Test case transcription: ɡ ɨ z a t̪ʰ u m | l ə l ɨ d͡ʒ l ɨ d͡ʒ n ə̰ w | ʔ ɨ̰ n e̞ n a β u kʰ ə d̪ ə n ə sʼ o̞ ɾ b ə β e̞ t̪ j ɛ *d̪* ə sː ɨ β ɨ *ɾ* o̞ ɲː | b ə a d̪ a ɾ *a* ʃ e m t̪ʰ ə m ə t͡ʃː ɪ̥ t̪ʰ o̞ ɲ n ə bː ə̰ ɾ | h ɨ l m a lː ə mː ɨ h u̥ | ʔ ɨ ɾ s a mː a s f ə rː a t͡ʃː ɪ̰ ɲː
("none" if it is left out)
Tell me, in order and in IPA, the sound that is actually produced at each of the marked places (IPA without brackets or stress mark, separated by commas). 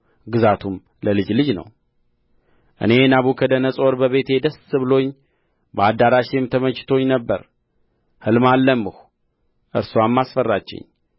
d̪, l, a